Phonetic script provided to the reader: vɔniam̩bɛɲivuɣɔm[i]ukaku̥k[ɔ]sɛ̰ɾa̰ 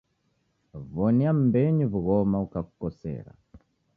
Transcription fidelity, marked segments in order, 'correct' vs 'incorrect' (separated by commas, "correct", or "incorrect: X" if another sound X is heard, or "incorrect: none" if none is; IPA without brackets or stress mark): incorrect: a, correct